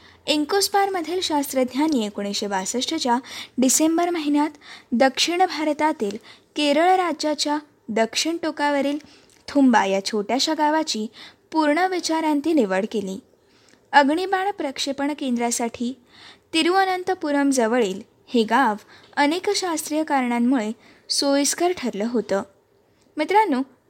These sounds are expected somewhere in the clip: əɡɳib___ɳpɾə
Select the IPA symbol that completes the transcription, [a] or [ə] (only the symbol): a